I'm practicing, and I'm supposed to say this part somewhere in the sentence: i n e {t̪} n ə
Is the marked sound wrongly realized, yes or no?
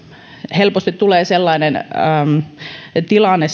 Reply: yes